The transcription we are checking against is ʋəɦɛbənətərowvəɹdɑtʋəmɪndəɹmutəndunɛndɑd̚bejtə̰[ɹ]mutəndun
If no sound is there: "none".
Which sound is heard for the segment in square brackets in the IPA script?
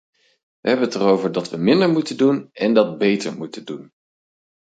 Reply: ɹ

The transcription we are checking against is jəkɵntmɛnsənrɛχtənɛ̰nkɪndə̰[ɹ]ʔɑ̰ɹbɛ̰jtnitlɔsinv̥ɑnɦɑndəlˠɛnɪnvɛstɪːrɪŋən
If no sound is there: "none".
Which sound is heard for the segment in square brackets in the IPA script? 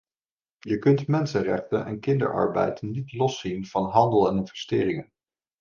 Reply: ɹ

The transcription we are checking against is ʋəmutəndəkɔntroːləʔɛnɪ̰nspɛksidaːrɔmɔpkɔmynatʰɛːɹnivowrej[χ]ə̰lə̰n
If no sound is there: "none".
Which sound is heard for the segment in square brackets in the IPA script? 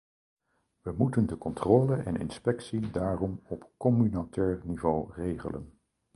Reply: χ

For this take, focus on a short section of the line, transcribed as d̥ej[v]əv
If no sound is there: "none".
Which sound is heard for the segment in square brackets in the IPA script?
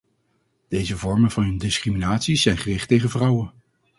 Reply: z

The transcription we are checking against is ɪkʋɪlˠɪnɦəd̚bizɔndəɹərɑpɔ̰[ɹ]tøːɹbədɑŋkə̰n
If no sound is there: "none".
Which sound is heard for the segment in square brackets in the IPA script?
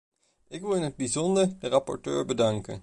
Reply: ɹ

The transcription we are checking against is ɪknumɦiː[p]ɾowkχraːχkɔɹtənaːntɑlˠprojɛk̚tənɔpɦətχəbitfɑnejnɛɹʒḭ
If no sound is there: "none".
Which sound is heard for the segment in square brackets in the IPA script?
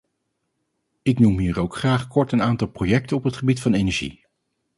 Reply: none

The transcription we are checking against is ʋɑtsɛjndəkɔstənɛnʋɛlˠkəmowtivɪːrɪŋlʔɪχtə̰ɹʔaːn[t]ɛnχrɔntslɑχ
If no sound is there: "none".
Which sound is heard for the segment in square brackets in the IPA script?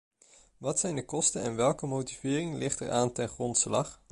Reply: t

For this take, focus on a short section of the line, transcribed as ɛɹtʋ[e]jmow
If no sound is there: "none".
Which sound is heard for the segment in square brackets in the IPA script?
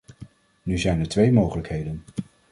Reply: e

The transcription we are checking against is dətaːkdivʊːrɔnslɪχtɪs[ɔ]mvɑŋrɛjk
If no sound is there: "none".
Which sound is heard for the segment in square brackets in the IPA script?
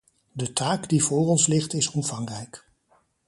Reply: ɔ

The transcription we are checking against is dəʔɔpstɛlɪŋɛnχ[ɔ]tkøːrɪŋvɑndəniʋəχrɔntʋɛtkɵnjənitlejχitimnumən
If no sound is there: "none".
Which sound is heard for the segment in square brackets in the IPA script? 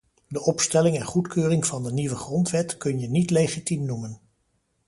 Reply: u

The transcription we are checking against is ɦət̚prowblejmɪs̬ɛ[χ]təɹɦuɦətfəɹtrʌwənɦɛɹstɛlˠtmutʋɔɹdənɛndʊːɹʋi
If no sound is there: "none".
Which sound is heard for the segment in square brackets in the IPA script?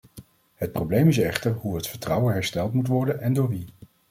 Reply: χ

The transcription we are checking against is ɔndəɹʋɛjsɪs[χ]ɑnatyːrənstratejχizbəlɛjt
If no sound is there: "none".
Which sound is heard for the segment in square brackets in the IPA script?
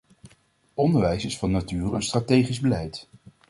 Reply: f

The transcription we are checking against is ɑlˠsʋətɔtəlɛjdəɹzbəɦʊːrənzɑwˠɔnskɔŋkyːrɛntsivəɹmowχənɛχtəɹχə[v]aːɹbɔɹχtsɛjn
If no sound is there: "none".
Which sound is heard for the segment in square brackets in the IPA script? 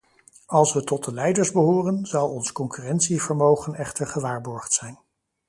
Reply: ʋ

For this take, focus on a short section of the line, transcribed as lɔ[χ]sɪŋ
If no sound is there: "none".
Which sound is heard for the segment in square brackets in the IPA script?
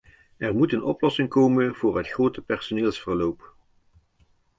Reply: none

